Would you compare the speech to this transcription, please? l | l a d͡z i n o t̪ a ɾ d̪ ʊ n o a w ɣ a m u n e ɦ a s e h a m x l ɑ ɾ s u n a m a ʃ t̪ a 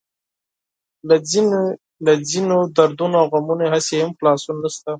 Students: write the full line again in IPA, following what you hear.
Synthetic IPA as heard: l | l a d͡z i n o d̪ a ɾ d̪ u n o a w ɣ a m u n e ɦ a s e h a m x l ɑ s u n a n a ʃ t̪ a